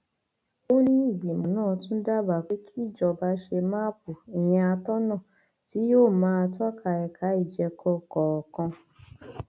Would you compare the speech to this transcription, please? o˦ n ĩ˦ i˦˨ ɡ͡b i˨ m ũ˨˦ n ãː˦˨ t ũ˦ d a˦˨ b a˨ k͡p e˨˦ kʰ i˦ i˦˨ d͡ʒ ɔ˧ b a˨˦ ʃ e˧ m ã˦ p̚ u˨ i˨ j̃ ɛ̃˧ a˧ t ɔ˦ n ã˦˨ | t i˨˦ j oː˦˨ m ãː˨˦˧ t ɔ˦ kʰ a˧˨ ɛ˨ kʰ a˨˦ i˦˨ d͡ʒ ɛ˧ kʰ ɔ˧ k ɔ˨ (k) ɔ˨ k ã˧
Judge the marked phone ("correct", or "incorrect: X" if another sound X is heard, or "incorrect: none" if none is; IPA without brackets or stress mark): incorrect: none